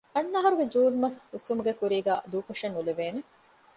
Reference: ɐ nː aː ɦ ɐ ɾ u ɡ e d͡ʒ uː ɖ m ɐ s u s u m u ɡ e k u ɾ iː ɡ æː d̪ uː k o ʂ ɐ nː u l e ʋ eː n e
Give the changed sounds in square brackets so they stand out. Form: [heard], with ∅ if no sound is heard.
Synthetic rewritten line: ɐ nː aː ɦ ɐ ɾ u ɡ e d͡ʒ uː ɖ m ɐ s u s u m u ɡ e k u ɾ iː ɡ æː d̪ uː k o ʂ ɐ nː u l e ʋ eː n e

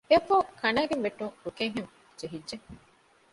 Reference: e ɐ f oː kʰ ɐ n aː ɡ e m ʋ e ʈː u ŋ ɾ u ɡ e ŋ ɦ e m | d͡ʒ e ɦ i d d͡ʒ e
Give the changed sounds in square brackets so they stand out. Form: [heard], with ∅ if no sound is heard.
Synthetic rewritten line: e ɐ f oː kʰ ɐ n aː ɡ e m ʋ e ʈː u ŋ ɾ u [k] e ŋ ɦ e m | d͡ʒ e ɦ i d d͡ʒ e

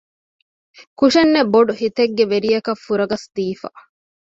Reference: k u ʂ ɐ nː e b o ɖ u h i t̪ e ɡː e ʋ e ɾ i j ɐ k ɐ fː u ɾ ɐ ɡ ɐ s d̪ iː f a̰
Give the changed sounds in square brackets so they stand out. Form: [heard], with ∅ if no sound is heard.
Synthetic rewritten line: k u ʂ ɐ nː e b o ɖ u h i t̪ e ɡː e ʋ e ɾ i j ɐ k ɐ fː u ɾ ɐ ɡ ɐ s d̪ iː f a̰

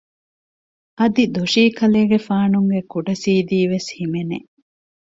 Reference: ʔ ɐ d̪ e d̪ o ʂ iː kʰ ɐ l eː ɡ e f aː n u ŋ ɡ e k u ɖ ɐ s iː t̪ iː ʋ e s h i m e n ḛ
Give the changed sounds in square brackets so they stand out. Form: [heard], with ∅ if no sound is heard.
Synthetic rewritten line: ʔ ɐ d̪ [i] d̪ o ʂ iː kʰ ɐ l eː ɡ e f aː n u ŋ ɡ e k u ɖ ɐ s iː [d̪] iː ʋ e s h i m e n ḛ

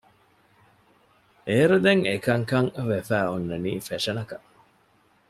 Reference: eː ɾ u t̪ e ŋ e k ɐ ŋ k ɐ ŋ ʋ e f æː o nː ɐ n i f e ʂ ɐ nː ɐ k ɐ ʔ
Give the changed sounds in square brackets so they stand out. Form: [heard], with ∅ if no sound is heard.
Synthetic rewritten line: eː ɾ u [d̪] e ŋ e k ɐ ŋ k ɐ ŋ ʋ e f æː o nː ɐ n [iː] f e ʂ ɐ [n] ɐ k ɐ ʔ

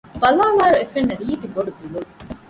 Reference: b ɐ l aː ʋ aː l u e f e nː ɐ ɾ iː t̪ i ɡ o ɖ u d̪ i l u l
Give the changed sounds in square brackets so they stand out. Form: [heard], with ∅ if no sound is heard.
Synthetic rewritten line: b ɐ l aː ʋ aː [ɾ] u e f e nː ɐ ɾ iː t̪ i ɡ o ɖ u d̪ i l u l

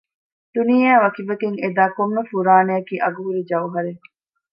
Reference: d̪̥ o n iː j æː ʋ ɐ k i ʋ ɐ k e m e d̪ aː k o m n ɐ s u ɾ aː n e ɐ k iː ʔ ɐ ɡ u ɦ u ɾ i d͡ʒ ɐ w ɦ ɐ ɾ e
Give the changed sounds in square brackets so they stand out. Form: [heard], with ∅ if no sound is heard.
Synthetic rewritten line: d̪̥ [u] n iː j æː ʋ ɐ k i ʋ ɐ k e [ŋ] e d̪ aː k o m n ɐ [f] u ɾ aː n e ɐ k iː ʔ ɐ ɡ u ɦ u ɾ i d͡ʒ ɐ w ɦ ɐ ɾ e

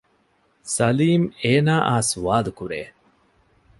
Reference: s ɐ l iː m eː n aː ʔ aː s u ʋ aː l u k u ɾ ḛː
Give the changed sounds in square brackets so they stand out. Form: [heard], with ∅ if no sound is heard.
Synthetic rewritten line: s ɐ l iː m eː n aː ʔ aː s u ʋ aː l u k u ɾ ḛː

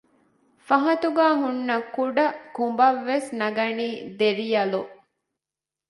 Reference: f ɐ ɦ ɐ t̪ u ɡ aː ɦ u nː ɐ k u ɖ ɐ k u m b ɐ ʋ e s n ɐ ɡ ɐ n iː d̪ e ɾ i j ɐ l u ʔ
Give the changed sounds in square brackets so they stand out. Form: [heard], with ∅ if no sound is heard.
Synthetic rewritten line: f ɐ ɦ ɐ t̪ u ɡ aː ɦ u nː ɐ k u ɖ ɐ k u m b ɐ [ʋː] e s n ɐ ɡ ɐ n iː d̪ e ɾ i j ɐ l u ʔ

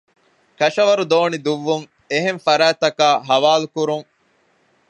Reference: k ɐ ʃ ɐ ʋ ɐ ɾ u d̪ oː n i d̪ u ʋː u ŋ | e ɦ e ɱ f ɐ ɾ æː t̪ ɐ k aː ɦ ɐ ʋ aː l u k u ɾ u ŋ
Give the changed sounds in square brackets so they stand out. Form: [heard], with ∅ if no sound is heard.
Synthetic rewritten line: k ɐ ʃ ɐ ʋ ɐ ɾ u d̪ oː n i d̪ u ʋː u ŋ | e ɦ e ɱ f ɐ ɾ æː t̪ ɐ k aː ɦ ɐ ʋ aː l u k u ɾ u ŋ

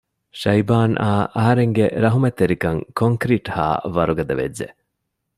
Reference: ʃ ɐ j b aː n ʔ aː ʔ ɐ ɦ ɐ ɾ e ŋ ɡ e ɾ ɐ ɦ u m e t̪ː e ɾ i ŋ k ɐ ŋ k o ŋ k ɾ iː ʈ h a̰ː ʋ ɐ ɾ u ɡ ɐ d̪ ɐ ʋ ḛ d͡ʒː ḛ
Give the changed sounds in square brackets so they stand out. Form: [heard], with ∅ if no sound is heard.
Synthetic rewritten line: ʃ ɐ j b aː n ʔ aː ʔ ɐ ɦ ɐ ɾ e ŋ ɡ e ɾ ɐ ɦ u m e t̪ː e ɾ i [∅] k ɐ ŋ k o ŋ k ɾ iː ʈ h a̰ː ʋ ɐ ɾ u ɡ ɐ d̪ ɐ ʋ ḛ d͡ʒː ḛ

